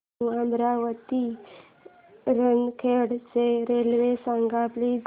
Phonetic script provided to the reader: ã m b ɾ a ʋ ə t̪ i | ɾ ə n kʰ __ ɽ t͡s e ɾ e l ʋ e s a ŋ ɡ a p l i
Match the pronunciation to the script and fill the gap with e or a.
e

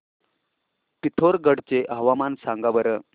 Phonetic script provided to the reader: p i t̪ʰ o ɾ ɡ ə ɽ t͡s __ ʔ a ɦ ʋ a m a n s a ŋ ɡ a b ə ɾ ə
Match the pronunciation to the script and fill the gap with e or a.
e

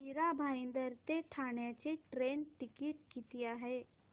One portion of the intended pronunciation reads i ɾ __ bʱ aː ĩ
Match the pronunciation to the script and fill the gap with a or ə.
a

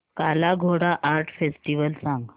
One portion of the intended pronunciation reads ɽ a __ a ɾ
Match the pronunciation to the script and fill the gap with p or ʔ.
ʔ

